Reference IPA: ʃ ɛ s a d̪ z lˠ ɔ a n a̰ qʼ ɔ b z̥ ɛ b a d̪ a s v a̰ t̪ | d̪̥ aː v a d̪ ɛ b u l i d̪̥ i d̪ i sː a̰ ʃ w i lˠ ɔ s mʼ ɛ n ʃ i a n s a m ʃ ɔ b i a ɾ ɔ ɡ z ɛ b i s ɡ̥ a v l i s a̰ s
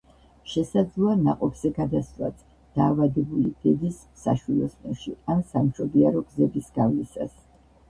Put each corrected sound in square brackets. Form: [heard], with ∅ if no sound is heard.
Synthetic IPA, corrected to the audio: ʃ ɛ s a d̪ z lˠ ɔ a n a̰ qʼ ɔ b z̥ ɛ [ɡ] a d̪ a s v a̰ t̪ | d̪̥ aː v a d̪ ɛ b u l i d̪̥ [ɛ] d̪ i sː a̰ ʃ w i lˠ ɔ s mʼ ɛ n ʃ i a n s a m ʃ ɔ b i a ɾ ɔ ɡ z ɛ b i s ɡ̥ a v l i s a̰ s